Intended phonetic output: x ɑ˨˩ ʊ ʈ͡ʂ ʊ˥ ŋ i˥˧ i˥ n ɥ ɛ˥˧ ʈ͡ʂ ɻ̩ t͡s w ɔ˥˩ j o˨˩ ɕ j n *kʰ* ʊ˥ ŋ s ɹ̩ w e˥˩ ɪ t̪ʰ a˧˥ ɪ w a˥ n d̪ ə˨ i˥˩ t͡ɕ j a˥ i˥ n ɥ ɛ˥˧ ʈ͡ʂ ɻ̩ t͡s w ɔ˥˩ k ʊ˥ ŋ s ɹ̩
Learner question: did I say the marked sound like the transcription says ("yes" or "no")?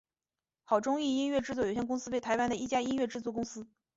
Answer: no